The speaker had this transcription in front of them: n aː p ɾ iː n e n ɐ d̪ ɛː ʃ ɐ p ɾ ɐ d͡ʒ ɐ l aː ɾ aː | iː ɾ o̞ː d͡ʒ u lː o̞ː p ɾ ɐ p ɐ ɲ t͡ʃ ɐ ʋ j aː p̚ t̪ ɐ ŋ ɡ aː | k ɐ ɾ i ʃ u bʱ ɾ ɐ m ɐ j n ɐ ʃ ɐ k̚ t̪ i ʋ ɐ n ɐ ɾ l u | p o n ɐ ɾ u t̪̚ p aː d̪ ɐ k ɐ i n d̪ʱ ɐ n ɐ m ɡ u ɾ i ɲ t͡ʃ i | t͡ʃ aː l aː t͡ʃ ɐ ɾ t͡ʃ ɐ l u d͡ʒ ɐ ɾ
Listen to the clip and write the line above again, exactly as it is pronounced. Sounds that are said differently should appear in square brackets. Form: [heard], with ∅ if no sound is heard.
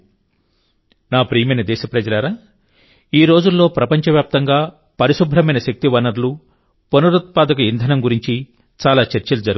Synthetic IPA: n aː p ɾ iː [m] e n ɐ d̪ ɛː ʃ ɐ p ɾ ɐ d͡ʒ ɐ l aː ɾ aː | iː ɾ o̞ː d͡ʒ u lː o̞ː p ɾ ɐ p ɐ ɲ t͡ʃ ɐ ʋ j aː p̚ t̪ ɐ ŋ ɡ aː | [p] ɐ ɾ i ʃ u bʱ ɾ ɐ m ɐ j n ɐ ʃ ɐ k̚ t̪ i ʋ ɐ n ɐ ɾ l u | p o n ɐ ɾ u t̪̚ p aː d̪ ɐ k ɐ i n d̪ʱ ɐ n ɐ m ɡ u ɾ i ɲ t͡ʃ i | t͡ʃ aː l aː t͡ʃ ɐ ɾ t͡ʃ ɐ l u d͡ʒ ɐ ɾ